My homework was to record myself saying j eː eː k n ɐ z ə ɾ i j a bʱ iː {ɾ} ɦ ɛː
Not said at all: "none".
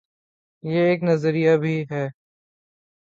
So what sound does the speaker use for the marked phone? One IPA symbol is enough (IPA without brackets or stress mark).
none